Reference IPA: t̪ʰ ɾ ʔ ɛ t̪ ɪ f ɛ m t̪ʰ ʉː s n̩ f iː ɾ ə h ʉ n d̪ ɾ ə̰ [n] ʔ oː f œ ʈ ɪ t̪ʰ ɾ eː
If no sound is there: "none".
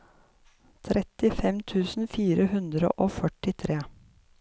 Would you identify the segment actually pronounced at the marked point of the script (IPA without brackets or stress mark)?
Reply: none